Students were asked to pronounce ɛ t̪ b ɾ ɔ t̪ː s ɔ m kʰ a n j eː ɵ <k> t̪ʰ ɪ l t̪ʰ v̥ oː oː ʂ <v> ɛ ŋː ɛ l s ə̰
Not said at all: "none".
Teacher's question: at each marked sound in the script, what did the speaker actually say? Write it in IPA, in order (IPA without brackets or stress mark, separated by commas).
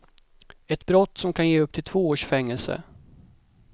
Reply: p, f